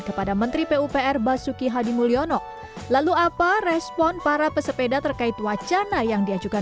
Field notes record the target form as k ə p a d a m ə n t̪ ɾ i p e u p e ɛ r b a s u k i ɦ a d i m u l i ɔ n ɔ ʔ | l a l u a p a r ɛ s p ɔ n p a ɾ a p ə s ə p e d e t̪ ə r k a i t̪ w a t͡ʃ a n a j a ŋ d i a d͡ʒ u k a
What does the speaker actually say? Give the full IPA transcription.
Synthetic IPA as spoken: k ə p a d a m ə n t̪ ɾ i p e u p e ɛ r b a s u k i ɦ a d i m u l i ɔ n ɔ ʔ | l a l u a p a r ɛ s p ɔ n p a ɾ a p ə s ə p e d a t̪ ə r k a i t̪ w a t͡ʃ a n a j a ŋ d i a d͡ʒ u k a